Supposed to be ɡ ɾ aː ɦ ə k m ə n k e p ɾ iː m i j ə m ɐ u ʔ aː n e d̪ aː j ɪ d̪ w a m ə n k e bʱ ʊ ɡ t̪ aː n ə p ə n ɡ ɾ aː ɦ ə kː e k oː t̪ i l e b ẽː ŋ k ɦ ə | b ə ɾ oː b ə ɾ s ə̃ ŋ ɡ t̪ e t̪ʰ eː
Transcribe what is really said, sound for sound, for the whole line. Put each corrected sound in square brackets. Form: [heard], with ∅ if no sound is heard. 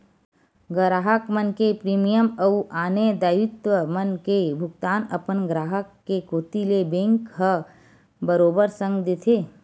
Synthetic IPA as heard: ɡ ɾ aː ɦ ə k m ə n k e p ɾ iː m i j ə m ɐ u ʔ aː n e d̪ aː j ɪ [t̪] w [ə] m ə n k e bʱ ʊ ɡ t̪ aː n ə p ə n ɡ ɾ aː ɦ ə kː e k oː t̪ i l e b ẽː ŋ k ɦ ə | b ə ɾ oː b ə ɾ s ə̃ ŋ ɡ [d̪] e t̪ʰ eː